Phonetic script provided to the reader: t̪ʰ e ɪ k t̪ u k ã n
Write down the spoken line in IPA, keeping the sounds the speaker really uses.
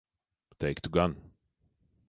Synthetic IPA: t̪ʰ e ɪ k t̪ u ɡ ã n